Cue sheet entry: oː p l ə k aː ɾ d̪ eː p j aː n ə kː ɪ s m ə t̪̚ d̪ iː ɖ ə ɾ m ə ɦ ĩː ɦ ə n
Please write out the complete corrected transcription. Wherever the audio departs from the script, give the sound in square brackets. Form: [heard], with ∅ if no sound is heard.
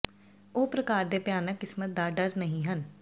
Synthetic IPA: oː p [ɾ] ə k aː ɾ d̪ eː p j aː n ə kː ɪ s m ə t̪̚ d̪ [aː] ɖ ə ɾ [n] ə ɦ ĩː ɦ ə n

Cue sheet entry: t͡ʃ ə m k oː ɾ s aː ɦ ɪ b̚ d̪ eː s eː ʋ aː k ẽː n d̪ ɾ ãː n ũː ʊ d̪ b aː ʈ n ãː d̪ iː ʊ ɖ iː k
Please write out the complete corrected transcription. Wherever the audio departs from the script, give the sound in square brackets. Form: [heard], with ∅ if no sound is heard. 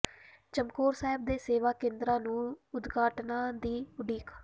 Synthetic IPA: t͡ʃ ə m k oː ɾ s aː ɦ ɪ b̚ d̪ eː s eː ʋ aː k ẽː n d̪ ɾ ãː n ũː ʊ d̪ [ɡ] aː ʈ n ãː d̪ iː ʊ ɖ iː k

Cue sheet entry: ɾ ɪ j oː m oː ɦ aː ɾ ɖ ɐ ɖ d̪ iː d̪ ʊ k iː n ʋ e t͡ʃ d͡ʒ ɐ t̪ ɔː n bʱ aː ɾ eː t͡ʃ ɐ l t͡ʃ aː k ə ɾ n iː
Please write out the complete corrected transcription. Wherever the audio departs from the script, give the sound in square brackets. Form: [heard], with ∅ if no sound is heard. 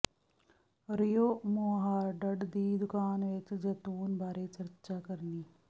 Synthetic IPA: ɾ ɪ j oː m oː ɦ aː ɾ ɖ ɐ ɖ d̪ iː d̪ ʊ k [aː] n ʋ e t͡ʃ d͡ʒ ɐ t̪ [uː] n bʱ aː ɾ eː t͡ʃ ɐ [ɾ] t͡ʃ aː k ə ɾ n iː

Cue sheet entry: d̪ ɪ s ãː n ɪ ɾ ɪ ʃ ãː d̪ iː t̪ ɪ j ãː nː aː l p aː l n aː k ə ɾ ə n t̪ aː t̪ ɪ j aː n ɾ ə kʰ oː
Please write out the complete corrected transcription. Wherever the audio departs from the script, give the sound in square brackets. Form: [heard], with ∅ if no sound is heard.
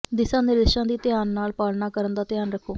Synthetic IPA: d̪ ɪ s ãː n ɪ ɾ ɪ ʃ ãː d̪ iː t̪ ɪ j [aː] nː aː l p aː l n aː k ə ɾ ə n [d̪] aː t̪ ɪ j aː n ɾ ə kʰ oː

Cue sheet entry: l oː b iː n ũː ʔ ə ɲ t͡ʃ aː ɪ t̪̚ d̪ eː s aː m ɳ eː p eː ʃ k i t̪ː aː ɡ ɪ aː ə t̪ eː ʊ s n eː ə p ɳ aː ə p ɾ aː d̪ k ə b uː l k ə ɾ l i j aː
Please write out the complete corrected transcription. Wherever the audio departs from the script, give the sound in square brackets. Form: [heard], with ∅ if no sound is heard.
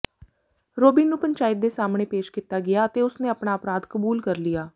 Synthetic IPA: [ɾ] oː b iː n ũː [p] ə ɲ t͡ʃ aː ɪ t̪̚ d̪ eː s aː m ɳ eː p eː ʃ k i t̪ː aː ɡ ɪ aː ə t̪ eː ʊ s n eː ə p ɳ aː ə p ɾ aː d̪ k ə b uː l k ə ɾ l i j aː

